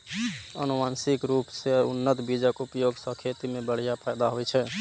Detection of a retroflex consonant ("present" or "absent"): present